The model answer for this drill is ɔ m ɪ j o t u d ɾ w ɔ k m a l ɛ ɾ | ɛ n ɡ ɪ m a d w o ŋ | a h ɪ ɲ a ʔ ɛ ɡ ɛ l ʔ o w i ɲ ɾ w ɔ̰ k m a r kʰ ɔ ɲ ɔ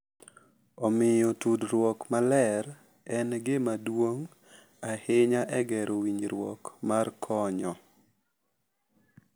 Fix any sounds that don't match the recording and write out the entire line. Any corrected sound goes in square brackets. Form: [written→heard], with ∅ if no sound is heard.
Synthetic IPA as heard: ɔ m ɪ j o t u d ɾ w ɔ k m a l ɛ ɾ | ɛ n ɡ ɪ m a d w o ŋ | a h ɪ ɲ a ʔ ɛ ɡ ɛ [l→ɾ] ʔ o w i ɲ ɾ w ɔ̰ k m a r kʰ ɔ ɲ ɔ